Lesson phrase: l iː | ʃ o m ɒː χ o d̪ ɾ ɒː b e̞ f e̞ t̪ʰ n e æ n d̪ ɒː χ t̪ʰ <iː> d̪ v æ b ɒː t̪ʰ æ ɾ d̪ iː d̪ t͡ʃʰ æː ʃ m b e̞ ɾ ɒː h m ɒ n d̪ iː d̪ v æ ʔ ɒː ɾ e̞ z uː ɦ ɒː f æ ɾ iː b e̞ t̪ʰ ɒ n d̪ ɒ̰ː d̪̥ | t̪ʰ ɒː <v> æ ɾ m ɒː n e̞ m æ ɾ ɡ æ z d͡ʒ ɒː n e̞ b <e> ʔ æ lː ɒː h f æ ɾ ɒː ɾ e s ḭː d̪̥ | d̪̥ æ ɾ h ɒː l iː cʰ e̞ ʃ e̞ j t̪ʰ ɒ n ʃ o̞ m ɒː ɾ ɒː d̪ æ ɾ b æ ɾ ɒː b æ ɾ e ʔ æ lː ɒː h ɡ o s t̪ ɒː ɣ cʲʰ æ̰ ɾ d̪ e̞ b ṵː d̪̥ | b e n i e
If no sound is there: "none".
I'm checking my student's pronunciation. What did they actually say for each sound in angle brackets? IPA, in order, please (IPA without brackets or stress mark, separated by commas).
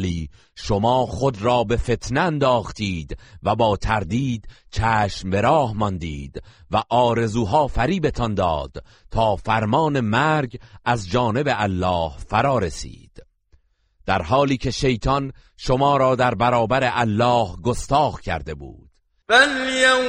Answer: iː, f, e